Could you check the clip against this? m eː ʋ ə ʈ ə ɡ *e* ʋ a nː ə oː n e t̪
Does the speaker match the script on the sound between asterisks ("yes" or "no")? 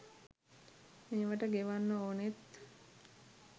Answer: yes